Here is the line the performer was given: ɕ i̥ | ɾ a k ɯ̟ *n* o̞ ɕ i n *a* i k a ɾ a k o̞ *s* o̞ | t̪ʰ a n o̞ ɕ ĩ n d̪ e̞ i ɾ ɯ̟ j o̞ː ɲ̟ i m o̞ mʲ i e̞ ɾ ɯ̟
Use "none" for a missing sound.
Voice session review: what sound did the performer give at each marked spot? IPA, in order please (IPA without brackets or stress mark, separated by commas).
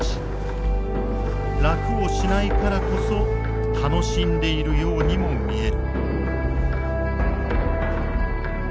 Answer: none, a, s